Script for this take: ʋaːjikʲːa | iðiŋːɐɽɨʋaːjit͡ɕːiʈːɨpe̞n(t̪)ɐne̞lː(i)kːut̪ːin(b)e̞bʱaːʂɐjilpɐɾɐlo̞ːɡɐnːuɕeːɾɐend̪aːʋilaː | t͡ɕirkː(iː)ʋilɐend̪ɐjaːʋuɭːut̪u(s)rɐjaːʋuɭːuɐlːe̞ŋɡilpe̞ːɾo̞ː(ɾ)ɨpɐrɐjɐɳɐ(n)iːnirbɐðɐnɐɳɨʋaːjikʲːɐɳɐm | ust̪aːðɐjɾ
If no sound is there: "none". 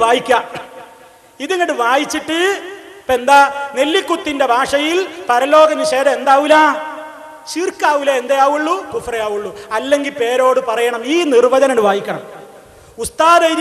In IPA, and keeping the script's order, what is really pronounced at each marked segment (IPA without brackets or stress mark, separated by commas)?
d̪, i, d, aː, f, ɽ, m